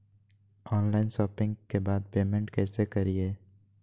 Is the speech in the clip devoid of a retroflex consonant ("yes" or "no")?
no